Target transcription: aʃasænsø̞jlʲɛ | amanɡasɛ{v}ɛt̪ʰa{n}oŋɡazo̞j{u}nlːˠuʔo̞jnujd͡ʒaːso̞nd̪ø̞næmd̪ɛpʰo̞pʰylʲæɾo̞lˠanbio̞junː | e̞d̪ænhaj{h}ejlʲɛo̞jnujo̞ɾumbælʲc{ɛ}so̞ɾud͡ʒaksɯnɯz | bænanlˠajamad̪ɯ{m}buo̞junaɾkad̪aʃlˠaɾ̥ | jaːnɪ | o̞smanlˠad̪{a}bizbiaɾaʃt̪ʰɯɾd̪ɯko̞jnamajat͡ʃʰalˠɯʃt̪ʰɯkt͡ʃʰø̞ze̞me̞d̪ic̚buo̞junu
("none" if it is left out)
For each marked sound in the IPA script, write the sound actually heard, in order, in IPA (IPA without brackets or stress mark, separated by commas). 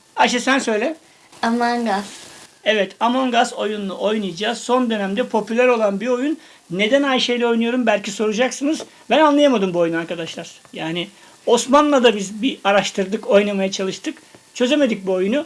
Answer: v, m, u, ʃ, i, m, a